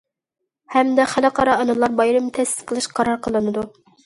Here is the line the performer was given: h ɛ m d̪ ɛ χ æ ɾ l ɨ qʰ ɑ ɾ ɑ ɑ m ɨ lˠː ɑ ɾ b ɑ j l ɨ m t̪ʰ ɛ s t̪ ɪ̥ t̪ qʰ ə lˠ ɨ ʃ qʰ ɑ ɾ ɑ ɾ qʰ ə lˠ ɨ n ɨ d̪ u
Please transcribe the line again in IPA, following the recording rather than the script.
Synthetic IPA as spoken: h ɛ m d̪ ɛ χ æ l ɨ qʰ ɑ ɾ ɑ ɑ n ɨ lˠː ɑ ɾ b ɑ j ɾ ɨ m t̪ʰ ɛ s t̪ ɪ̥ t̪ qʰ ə lˠ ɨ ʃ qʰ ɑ ɾ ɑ ɾ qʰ ə lˠ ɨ n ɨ d̪ u